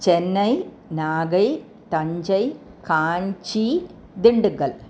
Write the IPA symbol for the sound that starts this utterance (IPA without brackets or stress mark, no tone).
t͡ɕ